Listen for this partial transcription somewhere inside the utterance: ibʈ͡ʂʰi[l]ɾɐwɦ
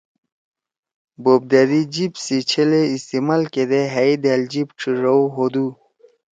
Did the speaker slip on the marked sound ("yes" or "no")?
yes